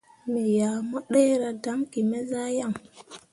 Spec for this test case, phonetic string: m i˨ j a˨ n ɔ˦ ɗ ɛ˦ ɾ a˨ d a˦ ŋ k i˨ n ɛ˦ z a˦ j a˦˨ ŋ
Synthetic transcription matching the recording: m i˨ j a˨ m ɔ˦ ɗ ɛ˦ ɾ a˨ d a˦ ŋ k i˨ m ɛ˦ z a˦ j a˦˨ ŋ